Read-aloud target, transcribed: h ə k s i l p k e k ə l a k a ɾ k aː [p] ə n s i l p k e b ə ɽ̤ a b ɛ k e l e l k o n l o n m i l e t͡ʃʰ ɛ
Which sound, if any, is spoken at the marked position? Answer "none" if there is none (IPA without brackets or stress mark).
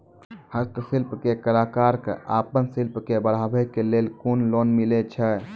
p